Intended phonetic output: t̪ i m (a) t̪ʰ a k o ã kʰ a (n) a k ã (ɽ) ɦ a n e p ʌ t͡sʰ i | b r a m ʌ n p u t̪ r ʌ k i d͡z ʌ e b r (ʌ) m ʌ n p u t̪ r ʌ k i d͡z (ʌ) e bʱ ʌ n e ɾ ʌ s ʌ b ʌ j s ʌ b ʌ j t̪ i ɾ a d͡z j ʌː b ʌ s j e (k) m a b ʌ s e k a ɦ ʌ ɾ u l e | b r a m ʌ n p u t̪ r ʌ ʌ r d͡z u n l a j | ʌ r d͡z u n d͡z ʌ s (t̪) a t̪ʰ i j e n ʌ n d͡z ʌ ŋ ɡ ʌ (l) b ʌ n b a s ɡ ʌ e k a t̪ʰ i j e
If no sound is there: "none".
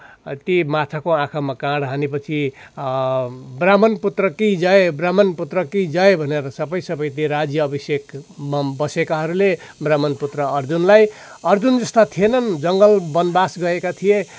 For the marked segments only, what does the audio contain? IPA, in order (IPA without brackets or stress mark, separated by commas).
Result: a, m, ɽ, a, ʌ, k, t̪, l